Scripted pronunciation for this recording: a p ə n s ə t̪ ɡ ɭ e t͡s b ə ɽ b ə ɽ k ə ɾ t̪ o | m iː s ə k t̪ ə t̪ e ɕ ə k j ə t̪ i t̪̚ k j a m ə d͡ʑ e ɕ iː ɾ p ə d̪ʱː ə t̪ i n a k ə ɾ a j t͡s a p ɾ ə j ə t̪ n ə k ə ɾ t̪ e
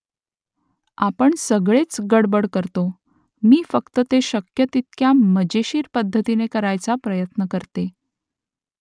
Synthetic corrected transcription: a p ə ɳ s ə ɡ ɭ e t͡s ɡ ə ɽ b ə ɽ k ə ɾ t̪ o | m iː f ə k t̪ ə t̪ e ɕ ə k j ə t̪ i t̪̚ k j a m ə d͡ʑ e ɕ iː ɾ p ə d̪ʱː ə t̪ i n e k ə ɾ a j t͡s a p ɾ ə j ə t̪ n ə k ə ɾ t̪ e